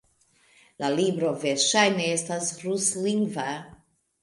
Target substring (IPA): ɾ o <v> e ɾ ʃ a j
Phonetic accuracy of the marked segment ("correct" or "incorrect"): correct